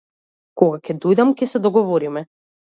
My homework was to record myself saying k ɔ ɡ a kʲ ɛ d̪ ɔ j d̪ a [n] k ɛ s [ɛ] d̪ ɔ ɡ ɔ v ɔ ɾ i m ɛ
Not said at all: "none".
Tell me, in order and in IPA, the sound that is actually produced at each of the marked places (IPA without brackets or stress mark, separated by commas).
m, ɛ